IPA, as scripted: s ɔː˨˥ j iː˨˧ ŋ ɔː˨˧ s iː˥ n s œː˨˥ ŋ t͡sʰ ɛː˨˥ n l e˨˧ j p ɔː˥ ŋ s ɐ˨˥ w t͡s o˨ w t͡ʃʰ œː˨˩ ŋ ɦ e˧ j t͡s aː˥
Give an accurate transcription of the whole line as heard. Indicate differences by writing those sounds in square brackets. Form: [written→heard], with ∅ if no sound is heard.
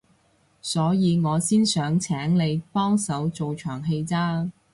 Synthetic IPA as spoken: s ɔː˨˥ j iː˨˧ ŋ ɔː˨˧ s iː˥ n s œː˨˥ ŋ t͡sʰ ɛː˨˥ [n→ŋ] l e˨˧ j p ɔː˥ ŋ s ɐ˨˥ w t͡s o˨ w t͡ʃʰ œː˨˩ ŋ ɦ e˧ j t͡s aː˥